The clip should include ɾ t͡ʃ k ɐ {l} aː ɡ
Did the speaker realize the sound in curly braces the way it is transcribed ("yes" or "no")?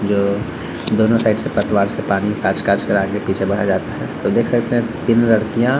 no